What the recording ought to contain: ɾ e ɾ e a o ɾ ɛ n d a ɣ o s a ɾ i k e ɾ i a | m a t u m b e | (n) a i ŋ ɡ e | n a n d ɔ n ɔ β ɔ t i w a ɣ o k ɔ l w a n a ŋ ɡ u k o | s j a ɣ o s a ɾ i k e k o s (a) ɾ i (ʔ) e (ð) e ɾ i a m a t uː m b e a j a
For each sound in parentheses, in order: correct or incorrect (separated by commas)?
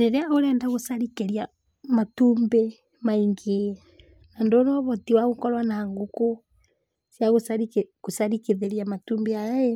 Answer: incorrect, correct, incorrect, correct